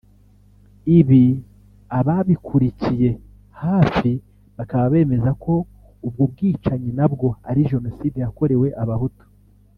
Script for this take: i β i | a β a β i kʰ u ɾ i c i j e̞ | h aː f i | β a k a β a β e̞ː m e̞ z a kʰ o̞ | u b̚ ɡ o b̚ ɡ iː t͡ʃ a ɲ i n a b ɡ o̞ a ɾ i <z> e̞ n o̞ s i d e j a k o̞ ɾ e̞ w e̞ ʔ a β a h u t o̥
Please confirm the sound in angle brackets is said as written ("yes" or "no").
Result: no